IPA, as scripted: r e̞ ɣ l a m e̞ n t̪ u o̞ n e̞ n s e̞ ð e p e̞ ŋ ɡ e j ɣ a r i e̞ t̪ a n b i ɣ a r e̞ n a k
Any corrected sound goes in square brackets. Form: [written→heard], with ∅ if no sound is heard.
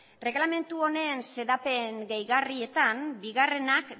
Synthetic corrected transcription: r e̞ ɣ l a m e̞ n t̪ u o̞ n e̞ n s e̞ ð [e→a] p e̞ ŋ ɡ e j ɣ a r i e̞ t̪ a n b i ɣ a r e̞ n a k